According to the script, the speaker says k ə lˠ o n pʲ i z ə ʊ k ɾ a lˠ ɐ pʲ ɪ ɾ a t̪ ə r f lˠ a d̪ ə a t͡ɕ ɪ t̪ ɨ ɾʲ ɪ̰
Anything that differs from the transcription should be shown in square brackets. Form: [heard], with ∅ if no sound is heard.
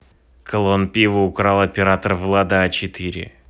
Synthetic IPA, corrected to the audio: k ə lˠ o n pʲ i [v] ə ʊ k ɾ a lˠ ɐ pʲ ɪ ɾ a t̪ ə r [v] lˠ a d̪ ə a t͡ɕ ɪ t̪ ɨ ɾʲ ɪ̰